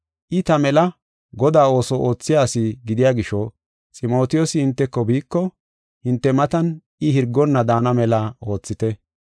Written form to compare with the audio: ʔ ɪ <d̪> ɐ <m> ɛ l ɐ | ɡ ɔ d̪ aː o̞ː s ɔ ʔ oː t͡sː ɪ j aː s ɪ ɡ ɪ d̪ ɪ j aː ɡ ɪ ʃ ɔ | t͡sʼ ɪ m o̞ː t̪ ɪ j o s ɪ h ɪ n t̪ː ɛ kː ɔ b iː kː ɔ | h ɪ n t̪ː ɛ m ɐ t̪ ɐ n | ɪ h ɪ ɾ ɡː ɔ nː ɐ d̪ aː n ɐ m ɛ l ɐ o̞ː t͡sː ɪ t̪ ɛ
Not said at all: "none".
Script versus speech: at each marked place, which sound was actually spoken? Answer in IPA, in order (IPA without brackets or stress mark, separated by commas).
t̪, m